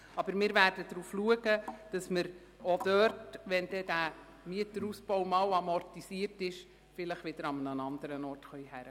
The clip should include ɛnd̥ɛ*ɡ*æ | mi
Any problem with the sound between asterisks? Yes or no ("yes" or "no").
yes